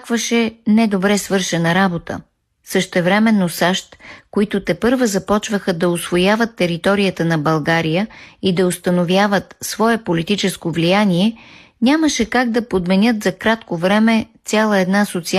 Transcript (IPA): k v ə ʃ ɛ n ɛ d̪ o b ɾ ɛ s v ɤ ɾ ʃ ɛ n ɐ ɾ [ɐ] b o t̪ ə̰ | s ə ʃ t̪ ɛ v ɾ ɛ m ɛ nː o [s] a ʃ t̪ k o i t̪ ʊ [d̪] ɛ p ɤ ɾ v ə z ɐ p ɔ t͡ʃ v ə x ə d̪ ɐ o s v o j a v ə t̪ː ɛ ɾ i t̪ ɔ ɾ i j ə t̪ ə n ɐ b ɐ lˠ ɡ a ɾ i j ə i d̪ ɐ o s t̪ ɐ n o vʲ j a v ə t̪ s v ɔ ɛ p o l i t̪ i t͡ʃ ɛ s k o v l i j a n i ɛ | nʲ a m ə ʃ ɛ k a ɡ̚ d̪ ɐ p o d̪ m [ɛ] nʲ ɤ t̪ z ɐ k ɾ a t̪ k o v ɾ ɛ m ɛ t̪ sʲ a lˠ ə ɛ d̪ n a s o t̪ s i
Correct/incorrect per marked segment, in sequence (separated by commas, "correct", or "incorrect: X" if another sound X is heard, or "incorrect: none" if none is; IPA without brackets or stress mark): incorrect: a, correct, incorrect: t̪, correct